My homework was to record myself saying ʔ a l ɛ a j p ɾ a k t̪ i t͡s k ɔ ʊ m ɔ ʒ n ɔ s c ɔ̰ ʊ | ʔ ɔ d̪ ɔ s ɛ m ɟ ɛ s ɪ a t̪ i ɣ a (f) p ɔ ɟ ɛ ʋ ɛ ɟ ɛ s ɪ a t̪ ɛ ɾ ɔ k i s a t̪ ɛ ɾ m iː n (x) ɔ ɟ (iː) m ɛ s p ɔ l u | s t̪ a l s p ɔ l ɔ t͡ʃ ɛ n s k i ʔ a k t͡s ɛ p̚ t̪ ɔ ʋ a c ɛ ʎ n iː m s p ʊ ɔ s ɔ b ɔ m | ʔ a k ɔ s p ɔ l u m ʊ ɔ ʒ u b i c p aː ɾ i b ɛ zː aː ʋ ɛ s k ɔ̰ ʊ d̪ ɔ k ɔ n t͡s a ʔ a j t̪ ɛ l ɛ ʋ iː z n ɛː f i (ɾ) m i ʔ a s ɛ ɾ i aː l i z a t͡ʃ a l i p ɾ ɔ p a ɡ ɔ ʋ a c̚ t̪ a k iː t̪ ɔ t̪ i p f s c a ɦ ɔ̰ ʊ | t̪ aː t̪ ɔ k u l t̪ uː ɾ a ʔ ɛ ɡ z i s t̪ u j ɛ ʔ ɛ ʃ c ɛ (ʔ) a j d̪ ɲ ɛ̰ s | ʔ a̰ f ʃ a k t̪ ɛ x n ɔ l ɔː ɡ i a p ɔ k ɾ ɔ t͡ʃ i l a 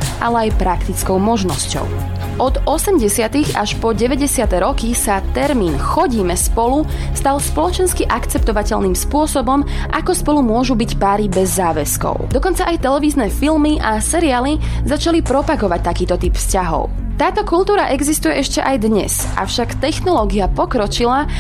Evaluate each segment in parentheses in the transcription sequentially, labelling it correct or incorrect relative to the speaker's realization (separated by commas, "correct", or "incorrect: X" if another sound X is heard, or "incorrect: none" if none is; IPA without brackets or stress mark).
incorrect: ʃ, correct, correct, incorrect: l, correct